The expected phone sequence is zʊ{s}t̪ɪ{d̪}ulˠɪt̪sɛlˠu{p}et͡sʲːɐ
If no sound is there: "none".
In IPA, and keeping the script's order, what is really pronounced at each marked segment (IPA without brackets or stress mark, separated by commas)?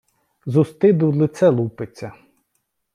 s, d̪, p